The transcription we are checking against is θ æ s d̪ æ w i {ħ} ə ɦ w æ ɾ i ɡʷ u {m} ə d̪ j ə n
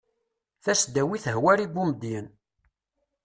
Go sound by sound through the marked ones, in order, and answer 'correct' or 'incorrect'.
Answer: incorrect, correct

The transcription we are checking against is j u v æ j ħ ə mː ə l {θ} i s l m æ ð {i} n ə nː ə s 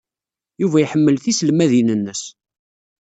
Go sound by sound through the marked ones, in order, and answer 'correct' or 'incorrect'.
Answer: correct, correct

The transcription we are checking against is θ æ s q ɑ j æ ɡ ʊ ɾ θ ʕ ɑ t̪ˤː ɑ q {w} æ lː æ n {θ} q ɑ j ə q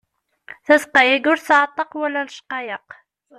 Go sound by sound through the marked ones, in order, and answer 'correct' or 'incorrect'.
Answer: correct, incorrect

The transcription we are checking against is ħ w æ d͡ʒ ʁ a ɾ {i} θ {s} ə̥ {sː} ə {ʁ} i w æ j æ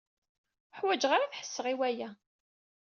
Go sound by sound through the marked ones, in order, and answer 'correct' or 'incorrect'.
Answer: incorrect, incorrect, correct, correct

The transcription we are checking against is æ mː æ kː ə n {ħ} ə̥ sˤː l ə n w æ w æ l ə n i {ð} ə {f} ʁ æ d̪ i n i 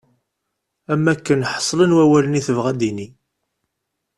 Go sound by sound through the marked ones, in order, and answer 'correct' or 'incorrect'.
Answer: correct, incorrect, incorrect

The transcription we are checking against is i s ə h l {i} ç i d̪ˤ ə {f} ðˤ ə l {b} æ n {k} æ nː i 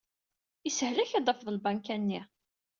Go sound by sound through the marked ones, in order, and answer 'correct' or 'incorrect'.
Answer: incorrect, correct, correct, correct

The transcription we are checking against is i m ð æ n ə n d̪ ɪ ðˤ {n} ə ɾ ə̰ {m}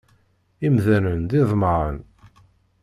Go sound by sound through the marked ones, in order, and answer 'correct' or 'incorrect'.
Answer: incorrect, incorrect

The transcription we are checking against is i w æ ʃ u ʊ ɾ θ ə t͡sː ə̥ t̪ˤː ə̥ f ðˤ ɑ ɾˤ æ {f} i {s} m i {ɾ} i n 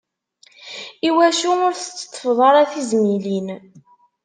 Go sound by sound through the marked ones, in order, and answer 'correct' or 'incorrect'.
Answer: incorrect, incorrect, incorrect

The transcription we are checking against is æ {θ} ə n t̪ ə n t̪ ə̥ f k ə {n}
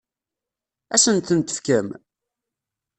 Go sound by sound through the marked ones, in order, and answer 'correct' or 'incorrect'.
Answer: incorrect, incorrect

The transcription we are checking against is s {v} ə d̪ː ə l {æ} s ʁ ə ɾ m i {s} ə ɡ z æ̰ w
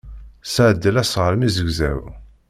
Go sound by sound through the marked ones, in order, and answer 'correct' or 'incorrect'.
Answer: incorrect, correct, incorrect

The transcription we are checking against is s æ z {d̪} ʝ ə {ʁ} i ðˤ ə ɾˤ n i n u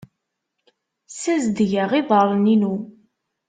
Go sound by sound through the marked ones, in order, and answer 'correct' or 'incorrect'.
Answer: correct, correct

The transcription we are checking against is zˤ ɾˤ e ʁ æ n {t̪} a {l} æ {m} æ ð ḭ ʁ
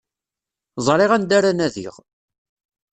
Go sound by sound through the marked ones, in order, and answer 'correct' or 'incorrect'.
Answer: incorrect, incorrect, incorrect

